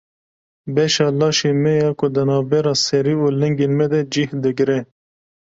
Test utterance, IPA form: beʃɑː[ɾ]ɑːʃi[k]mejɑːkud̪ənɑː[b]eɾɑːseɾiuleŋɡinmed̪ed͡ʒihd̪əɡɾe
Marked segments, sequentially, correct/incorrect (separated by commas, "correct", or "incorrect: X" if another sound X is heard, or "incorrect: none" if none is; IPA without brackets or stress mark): incorrect: l, incorrect: none, correct